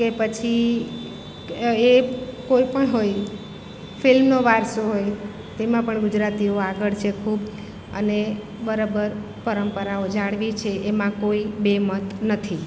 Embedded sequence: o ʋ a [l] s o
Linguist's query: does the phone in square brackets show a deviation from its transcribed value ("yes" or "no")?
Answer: yes